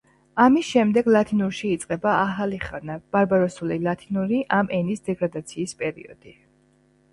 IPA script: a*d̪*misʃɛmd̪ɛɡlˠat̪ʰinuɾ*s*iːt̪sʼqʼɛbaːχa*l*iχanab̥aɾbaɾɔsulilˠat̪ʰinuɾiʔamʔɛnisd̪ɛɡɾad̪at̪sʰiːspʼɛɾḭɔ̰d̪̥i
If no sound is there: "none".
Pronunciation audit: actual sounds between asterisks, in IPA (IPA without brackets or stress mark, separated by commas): none, ʃ, l